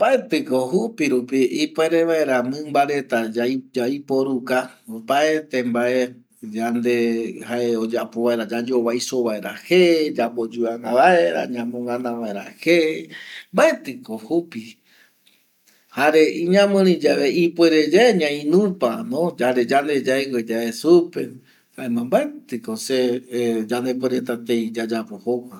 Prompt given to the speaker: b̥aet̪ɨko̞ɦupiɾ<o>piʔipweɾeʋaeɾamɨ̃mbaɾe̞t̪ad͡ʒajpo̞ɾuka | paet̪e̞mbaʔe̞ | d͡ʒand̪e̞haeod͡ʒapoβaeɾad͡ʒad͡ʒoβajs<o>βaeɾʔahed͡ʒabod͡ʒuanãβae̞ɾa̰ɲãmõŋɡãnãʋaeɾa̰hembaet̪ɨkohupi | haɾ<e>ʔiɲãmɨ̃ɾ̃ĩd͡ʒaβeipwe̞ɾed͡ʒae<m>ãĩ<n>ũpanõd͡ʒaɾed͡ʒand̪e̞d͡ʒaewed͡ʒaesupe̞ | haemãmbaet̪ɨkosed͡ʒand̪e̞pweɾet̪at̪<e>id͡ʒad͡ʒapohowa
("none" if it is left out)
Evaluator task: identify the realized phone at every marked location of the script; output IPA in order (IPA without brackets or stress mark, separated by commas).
u, o, e, ɲ, n, e